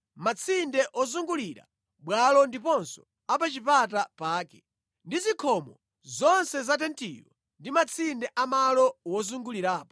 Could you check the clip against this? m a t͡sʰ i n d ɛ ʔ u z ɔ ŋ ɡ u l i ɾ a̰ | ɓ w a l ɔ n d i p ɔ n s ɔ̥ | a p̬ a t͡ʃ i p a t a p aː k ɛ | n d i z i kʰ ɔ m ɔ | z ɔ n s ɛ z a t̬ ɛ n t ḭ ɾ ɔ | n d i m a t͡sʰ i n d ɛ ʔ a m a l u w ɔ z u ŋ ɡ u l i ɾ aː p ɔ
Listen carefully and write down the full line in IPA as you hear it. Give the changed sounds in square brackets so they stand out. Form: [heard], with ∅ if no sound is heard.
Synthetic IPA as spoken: m a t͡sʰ i n d ɛ ʔ [ɔ] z [u] ŋ ɡ u l i ɾ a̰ | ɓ w a l ɔ n d i p ɔ n s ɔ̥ | a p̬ a t͡ʃ i p a t a p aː k ɛ | n d i z i kʰ ɔ m ɔ | z ɔ n s ɛ z a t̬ ɛ n t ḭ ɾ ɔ | n d i m a t͡sʰ i n d ɛ ʔ a m a l [ɔ] w ɔ z u ŋ ɡ u l i ɾ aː p ɔ